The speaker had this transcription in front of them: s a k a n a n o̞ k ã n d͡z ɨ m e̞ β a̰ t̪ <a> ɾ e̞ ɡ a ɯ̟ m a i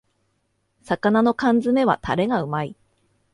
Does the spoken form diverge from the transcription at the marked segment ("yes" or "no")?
no